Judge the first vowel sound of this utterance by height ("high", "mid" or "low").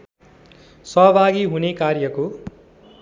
mid